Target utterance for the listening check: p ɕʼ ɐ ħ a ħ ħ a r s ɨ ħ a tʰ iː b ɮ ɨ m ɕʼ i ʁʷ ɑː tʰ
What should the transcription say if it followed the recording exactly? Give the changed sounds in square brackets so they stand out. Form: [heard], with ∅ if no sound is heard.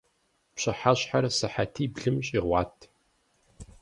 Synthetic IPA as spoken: p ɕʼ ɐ ħ a [ɕ] ħ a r s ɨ ħ a tʰ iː b ɮ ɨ m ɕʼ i ʁʷ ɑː tʰ